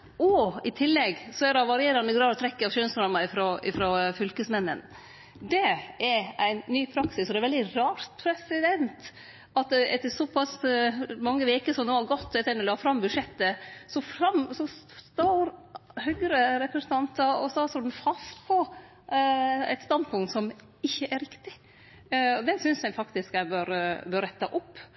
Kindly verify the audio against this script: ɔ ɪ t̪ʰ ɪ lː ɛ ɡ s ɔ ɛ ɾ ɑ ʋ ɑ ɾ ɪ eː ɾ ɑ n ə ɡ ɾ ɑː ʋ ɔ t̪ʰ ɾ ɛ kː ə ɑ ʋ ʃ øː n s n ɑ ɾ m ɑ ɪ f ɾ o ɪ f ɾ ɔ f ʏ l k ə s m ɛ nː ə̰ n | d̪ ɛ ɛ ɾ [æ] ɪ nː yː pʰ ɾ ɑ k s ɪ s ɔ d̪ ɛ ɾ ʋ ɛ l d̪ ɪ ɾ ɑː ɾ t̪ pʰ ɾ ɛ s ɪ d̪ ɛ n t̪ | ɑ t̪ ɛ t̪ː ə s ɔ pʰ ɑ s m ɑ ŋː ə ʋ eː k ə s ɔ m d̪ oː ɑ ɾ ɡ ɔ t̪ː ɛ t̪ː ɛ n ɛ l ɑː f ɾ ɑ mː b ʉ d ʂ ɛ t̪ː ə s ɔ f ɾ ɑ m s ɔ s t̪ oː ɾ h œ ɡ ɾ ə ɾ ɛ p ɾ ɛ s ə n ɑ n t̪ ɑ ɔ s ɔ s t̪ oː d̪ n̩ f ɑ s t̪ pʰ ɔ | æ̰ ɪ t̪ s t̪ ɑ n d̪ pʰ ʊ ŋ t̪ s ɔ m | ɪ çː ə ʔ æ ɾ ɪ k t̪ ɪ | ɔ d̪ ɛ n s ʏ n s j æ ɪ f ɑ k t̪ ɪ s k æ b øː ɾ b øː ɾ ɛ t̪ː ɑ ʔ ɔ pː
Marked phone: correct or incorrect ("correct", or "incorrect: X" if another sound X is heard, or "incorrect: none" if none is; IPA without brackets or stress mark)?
correct